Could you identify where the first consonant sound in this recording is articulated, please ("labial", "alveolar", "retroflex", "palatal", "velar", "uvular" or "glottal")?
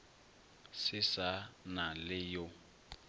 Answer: alveolar